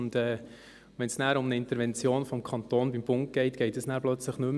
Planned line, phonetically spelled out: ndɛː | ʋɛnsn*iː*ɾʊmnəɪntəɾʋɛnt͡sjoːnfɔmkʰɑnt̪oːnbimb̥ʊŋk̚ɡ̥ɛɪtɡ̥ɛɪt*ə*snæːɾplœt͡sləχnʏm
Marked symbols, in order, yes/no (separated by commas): no, yes